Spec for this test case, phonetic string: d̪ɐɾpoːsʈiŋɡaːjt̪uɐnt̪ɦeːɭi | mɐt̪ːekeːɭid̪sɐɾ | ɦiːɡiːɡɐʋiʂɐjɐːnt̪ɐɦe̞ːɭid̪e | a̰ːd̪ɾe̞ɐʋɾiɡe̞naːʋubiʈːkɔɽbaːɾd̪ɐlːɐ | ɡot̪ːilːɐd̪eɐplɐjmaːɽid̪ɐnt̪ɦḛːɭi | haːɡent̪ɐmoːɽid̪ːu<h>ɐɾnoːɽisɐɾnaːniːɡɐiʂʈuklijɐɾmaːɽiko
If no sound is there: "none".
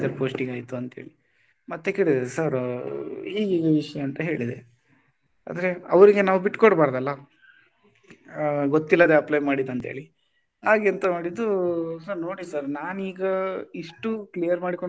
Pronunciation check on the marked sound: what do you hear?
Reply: s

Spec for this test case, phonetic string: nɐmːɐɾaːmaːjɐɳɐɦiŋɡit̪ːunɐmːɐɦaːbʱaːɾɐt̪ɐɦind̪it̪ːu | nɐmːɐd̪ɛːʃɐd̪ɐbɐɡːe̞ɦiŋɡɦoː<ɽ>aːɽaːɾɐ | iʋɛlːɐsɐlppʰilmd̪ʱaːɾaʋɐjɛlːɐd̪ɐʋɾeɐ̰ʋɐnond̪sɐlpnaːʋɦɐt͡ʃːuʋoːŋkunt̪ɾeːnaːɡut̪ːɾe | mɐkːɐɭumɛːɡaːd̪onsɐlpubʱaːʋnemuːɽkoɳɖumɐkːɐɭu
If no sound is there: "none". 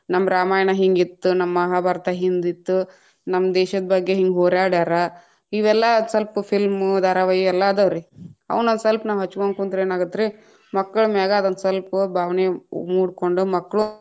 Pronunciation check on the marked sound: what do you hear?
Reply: ɾ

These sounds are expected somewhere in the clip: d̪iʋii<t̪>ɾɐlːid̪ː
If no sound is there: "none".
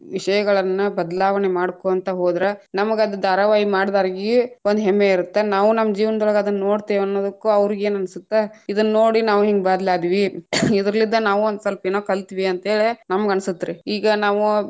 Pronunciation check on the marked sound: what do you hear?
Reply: d̪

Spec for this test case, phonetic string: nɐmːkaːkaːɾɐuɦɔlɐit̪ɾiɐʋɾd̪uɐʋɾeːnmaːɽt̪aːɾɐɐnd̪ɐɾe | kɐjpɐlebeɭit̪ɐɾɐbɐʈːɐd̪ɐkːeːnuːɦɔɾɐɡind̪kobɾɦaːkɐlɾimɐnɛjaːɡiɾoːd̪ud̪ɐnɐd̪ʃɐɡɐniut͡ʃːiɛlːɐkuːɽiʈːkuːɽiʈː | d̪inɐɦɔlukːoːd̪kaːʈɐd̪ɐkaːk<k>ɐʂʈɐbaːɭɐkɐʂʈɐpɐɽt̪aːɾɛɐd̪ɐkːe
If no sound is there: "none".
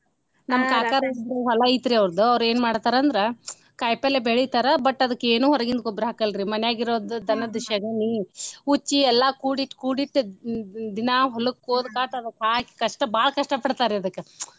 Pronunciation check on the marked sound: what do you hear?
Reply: k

